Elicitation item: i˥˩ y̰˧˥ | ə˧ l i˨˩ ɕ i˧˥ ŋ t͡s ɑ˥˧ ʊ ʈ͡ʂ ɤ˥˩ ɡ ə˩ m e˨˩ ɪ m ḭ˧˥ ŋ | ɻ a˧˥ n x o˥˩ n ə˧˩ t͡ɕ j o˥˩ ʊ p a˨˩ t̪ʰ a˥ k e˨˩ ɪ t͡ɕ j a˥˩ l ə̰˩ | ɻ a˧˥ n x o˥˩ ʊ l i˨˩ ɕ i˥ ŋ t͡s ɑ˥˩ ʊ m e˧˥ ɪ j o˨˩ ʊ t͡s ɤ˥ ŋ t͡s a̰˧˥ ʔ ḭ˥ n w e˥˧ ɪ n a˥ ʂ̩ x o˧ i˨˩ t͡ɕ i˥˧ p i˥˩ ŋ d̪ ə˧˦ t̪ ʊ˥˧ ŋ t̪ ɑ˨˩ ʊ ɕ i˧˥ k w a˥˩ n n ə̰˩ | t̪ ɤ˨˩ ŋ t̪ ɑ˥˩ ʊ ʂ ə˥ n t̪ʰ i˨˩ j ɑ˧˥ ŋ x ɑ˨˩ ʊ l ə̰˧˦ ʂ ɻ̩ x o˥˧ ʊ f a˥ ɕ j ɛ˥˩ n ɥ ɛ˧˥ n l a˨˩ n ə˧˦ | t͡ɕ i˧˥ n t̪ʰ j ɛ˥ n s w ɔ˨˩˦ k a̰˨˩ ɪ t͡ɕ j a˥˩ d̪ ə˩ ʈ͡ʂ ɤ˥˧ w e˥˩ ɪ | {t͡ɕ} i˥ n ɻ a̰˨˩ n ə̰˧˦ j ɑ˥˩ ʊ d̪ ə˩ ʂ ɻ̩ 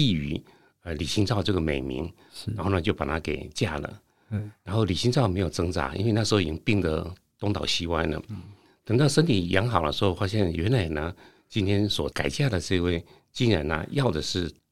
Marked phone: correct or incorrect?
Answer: correct